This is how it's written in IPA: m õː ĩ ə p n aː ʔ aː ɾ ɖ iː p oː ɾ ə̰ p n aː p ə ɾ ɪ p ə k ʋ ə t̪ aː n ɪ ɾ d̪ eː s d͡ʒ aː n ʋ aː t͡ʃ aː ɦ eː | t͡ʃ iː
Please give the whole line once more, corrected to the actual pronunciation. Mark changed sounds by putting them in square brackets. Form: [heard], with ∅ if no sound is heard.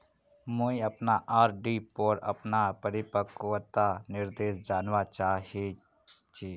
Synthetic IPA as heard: m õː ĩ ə p n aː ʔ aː ɾ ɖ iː p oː ɾ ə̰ p n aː p ə ɾ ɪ p ə k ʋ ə t̪ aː n ɪ ɾ d̪ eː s d͡ʒ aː n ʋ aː t͡ʃ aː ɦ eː | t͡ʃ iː